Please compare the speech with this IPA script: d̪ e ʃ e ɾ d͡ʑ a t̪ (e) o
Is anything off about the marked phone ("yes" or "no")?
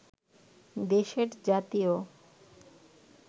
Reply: yes